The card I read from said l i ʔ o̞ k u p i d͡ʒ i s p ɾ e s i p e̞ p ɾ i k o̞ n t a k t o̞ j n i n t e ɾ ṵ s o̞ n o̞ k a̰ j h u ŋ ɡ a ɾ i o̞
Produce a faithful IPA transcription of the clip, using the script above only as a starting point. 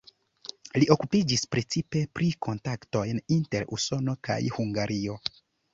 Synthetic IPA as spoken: l i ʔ o̞ k u p i d͡ʒ i s p ɾ e t͡s i p e̞ p ɾ i k o̞ n t a k t o̞ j n i n t e ɾ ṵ s o̞ n o̞ k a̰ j h u ŋ ɡ a ɾ i o̞